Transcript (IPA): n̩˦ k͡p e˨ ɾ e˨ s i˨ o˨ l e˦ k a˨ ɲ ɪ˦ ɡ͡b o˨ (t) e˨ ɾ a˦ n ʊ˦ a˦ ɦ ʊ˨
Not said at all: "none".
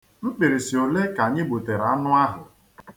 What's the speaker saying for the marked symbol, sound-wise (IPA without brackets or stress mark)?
t